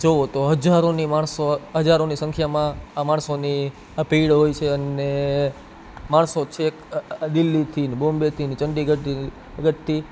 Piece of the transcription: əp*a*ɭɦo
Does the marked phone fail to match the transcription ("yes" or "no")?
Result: yes